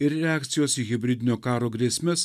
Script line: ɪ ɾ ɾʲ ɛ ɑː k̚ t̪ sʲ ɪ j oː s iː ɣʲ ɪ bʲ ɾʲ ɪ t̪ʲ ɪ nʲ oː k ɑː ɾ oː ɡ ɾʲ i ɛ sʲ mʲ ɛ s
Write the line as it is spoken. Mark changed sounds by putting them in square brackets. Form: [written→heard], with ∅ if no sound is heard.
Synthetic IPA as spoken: ɪ ɾ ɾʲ ɛ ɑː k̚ t̪ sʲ ɪ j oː s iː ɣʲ ɪ bʲ ɾʲ ɪ [t̪ʲ→d̪ʲ] ɪ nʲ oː k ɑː ɾ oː ɡ ɾʲ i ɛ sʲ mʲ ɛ s